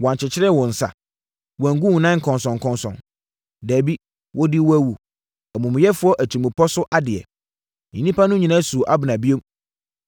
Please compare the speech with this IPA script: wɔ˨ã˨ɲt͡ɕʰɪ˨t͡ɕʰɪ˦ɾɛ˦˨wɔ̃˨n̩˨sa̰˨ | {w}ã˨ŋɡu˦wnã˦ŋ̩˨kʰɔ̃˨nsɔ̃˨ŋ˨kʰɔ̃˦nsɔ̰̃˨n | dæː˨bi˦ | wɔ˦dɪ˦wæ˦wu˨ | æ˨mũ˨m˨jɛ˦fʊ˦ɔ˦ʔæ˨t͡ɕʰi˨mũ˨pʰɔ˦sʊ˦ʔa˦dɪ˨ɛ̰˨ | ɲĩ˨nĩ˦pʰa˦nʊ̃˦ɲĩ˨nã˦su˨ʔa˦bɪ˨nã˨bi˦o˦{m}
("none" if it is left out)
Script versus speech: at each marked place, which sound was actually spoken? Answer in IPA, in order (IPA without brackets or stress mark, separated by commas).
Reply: w, m